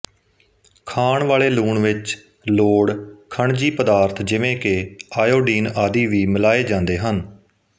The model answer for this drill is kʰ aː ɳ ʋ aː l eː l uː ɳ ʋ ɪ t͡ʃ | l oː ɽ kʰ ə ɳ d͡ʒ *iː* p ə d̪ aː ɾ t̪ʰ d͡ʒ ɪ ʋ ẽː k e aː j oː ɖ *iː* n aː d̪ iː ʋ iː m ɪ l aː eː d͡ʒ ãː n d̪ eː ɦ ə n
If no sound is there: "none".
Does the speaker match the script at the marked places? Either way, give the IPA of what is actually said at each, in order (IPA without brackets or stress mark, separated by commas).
iː, iː